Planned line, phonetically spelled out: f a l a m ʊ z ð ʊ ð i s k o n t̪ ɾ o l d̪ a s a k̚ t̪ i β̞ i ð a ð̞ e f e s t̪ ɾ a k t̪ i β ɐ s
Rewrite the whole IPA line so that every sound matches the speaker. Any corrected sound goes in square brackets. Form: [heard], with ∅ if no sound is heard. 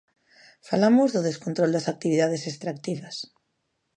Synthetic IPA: f a l a m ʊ z ð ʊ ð [e] s k o n t̪ ɾ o l d̪ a s a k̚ t̪ i β̞ i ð a ð̞ e [s] e s t̪ ɾ a k t̪ i β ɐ s